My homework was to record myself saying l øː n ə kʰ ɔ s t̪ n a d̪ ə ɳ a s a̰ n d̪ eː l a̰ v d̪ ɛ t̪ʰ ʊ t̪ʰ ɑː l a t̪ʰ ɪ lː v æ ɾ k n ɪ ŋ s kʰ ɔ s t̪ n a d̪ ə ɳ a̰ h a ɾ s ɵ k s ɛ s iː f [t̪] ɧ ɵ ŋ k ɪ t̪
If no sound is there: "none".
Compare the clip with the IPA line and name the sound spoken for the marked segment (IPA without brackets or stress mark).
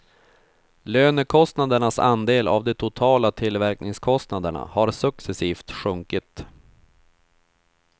t̪